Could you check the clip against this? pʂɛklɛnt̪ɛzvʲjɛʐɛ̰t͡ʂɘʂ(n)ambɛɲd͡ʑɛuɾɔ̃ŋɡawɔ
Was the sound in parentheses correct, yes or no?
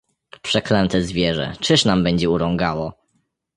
yes